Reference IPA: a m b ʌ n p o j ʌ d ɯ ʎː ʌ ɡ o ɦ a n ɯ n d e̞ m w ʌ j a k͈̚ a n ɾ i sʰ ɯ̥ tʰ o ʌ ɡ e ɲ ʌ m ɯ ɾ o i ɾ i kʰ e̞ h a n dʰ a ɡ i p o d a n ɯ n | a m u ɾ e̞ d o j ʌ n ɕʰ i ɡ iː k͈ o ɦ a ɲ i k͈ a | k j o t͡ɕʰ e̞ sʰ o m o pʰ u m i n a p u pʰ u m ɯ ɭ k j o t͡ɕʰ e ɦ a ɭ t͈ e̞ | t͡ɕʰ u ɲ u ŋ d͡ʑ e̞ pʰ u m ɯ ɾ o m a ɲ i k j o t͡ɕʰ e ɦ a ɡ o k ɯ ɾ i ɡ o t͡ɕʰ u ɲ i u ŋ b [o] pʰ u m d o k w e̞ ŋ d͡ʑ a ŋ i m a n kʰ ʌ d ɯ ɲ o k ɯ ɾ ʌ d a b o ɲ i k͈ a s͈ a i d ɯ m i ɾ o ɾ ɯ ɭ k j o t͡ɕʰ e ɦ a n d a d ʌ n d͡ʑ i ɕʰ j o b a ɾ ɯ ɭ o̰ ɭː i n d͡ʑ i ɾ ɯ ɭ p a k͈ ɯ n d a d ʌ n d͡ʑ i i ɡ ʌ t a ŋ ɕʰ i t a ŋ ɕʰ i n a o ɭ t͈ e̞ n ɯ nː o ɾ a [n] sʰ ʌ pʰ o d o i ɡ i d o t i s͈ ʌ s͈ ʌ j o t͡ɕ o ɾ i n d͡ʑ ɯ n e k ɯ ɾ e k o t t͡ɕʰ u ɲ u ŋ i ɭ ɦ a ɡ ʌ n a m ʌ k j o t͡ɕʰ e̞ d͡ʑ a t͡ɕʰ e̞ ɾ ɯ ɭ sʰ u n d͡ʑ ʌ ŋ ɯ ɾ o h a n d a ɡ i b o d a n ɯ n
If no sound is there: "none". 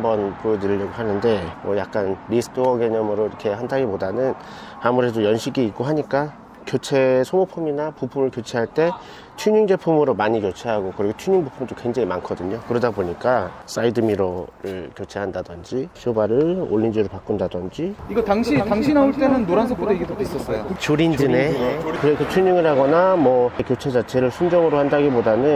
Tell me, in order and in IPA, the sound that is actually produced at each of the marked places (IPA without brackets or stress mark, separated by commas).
u, n